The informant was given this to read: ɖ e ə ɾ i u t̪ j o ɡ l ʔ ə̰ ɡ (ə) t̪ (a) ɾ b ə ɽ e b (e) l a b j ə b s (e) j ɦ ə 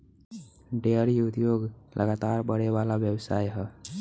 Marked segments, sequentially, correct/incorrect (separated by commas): incorrect, correct, incorrect, incorrect